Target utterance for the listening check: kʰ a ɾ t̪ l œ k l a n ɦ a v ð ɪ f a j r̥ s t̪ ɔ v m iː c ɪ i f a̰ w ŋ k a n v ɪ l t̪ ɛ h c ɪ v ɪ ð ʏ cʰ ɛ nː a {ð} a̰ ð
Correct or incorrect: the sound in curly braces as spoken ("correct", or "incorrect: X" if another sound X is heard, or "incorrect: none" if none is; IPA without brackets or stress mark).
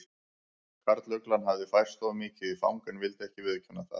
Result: incorrect: θ